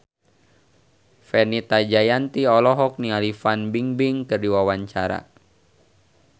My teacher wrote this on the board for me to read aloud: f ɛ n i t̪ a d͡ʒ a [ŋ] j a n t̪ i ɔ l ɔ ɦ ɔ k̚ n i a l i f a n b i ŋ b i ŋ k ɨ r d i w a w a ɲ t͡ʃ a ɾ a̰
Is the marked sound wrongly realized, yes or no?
yes